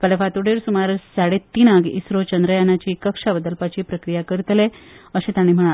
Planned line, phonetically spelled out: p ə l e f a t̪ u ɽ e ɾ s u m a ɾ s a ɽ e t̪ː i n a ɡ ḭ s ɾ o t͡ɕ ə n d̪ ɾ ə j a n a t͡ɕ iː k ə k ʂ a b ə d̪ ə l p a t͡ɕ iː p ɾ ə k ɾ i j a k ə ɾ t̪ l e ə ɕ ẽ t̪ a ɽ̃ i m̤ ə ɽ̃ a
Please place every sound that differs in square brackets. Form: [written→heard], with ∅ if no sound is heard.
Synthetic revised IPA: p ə l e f a t̪ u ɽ e ɾ s u m a ɾ s a ɽ e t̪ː i n a ɡ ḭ s ɾ o t͡ɕ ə n d̪ ɾ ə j a n a t͡ɕ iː k ə k ʂ a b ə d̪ ə l p a t͡ɕ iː p ɾ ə k ɾ i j a k ə ɾ t̪ l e ə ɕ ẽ t̪ a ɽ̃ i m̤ ə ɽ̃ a